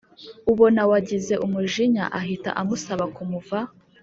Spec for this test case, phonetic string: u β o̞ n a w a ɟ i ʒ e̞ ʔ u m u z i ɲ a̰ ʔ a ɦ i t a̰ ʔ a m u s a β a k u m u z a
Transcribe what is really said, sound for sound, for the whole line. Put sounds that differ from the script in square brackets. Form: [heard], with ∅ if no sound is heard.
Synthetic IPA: u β o̞ n a w a ɟ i [z] e̞ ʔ u m u [ʒ] i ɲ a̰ ʔ a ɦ i t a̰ ʔ a m u s a β a k u m u [v] a